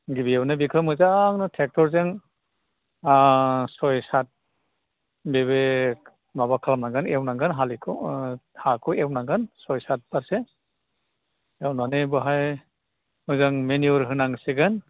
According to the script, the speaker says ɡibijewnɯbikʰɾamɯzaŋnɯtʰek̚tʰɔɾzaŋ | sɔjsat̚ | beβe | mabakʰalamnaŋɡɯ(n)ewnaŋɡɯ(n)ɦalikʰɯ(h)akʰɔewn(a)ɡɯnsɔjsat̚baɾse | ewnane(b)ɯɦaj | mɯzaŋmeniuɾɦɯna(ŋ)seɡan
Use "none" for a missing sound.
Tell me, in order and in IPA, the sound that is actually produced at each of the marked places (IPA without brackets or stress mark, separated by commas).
n, n, h, a, b, ŋ